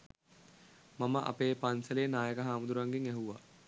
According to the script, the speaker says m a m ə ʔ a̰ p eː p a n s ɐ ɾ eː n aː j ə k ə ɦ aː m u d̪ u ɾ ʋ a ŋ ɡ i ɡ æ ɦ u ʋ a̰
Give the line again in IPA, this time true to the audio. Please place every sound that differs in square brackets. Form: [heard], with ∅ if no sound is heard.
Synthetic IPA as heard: m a m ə ʔ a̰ p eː p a n s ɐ [l] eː n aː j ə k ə ɦ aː m u d̪ u ɾ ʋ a ŋ ɡ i [ŋ] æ ɦ u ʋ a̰